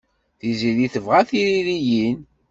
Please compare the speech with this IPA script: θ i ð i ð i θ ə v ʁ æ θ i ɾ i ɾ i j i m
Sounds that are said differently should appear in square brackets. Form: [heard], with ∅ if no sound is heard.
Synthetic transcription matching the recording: θ i [z] i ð i θ ə v ʁ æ θ i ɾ i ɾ i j i [n]